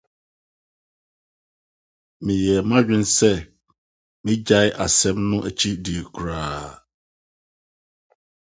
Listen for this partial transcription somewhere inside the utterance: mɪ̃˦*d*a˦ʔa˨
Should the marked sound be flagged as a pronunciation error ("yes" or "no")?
yes